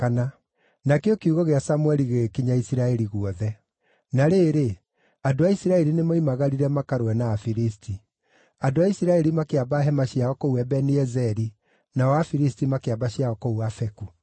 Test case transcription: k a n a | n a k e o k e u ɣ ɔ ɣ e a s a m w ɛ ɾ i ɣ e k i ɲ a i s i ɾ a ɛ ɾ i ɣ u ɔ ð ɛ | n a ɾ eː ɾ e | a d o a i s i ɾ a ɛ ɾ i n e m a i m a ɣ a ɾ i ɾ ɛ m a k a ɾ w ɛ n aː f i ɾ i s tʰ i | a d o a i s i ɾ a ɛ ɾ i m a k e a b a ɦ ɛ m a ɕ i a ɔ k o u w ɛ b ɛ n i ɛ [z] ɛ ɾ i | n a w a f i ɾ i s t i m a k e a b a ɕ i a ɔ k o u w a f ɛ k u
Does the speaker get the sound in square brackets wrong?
no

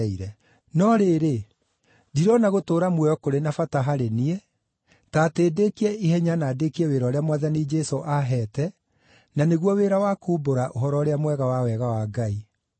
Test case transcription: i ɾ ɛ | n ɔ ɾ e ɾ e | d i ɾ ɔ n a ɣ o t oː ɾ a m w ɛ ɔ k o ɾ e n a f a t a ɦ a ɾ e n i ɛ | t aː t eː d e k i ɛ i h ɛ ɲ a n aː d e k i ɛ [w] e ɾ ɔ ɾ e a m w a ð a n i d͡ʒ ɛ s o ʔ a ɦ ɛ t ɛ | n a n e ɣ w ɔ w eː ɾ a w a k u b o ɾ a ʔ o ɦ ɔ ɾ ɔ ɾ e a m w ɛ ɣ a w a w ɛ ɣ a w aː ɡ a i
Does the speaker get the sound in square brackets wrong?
no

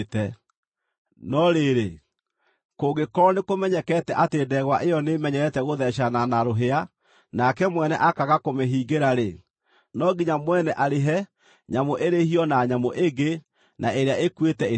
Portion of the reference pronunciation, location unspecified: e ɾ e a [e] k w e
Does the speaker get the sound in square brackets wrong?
no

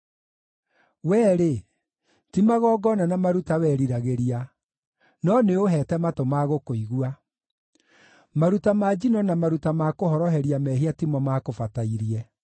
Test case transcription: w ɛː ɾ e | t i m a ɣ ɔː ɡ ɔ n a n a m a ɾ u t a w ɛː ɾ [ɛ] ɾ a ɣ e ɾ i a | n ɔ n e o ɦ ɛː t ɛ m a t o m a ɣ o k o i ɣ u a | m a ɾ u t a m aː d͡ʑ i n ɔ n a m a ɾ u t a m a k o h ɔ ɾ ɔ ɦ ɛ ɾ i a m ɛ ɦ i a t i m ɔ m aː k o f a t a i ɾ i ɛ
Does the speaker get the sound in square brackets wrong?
yes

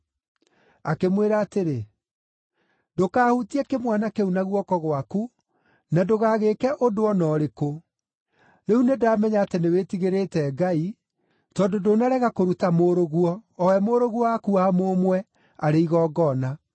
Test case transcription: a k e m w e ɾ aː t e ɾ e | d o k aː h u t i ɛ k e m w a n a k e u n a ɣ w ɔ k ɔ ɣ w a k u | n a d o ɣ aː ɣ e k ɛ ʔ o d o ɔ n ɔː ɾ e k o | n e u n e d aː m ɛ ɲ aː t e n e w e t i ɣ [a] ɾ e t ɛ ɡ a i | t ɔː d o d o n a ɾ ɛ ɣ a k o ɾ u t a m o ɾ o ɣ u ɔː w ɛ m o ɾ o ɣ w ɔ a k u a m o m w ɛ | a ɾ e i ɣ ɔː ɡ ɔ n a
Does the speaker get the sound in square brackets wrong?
yes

